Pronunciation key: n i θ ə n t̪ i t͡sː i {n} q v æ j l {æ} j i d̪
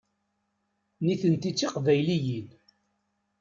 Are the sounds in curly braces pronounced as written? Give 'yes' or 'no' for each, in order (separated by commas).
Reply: no, no